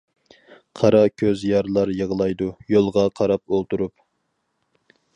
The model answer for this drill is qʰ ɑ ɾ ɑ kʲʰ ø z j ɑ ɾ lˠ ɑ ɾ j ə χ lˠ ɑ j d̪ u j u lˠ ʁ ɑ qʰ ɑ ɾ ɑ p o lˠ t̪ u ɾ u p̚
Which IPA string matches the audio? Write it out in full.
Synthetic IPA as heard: qʰ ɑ ɾ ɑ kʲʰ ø z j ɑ ɾ lˠ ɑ ɾ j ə ʁ lˠ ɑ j d̪ u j o lˠ ʁ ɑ qʰ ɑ ɾ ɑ p o lˠ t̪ u ɾ u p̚